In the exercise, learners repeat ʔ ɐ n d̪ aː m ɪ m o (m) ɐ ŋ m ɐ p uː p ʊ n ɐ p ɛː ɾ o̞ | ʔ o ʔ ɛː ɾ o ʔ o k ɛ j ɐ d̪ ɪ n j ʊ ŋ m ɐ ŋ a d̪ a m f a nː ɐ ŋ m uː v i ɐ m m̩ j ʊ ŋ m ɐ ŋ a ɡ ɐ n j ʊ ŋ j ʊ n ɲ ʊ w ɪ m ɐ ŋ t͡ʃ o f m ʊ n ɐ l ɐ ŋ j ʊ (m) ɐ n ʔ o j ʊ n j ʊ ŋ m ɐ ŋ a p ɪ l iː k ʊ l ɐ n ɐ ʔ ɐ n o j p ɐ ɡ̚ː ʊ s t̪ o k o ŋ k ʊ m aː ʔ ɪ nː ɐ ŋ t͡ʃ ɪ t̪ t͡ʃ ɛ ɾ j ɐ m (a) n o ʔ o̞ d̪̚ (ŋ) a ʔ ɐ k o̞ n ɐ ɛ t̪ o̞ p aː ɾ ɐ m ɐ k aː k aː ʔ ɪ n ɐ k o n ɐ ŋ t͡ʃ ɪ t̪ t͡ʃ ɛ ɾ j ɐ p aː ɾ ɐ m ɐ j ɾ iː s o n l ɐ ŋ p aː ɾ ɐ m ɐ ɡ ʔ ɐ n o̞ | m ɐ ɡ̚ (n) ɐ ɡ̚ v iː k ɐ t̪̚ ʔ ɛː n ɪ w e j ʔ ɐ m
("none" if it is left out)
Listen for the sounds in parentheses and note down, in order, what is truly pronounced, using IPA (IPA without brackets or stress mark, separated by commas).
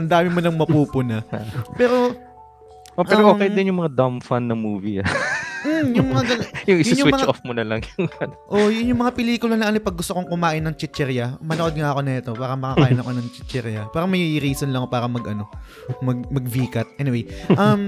n, ŋ, ɐ, ŋ, m